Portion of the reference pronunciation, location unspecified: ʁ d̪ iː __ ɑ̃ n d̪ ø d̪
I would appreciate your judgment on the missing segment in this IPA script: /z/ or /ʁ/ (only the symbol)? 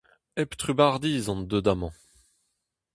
z